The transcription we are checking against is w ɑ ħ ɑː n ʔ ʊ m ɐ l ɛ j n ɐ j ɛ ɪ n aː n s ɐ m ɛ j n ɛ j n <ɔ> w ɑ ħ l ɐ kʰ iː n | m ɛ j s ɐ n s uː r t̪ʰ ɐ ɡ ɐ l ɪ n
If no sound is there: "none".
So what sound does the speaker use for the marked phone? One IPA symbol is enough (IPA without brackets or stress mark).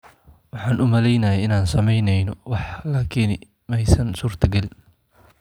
ɔ